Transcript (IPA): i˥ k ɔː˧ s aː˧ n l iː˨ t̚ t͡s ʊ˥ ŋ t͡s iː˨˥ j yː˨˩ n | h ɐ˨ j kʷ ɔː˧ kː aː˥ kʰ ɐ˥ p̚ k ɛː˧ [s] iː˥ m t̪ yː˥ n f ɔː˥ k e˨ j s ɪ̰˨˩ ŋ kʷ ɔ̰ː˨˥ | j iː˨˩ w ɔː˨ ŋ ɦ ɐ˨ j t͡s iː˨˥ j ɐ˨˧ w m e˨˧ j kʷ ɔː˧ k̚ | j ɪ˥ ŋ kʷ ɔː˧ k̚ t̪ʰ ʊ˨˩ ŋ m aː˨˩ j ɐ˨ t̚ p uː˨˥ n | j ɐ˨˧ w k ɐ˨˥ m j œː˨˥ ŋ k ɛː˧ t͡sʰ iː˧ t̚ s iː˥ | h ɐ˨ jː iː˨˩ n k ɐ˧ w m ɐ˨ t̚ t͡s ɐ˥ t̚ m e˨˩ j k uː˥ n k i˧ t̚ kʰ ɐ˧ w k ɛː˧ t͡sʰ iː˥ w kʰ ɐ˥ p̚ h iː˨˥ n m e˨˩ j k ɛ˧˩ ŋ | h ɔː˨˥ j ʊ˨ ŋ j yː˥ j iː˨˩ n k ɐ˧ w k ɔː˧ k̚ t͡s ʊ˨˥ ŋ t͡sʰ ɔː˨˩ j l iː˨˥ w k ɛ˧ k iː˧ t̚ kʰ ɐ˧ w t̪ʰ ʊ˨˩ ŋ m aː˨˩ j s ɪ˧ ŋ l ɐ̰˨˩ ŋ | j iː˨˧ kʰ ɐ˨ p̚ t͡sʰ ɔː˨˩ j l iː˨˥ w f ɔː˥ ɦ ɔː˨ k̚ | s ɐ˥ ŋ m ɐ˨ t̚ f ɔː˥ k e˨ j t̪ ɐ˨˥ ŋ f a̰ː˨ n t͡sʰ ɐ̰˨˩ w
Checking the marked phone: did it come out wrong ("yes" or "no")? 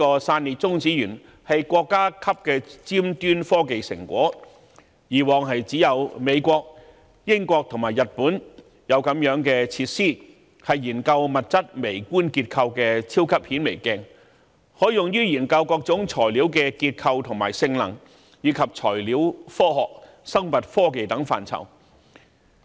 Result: yes